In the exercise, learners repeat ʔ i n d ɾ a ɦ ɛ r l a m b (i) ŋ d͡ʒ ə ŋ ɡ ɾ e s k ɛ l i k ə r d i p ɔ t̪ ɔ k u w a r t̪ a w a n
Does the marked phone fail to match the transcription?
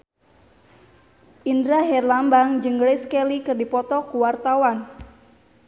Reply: yes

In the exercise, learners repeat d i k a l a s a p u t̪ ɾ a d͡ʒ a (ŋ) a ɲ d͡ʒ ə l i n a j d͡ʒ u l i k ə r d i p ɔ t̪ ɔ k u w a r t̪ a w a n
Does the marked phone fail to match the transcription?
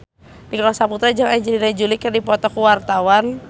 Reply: no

